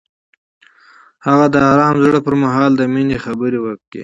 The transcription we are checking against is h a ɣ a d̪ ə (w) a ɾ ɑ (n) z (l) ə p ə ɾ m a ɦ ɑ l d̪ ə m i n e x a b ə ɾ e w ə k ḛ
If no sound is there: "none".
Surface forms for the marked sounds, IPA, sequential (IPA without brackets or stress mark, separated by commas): none, m, ɽ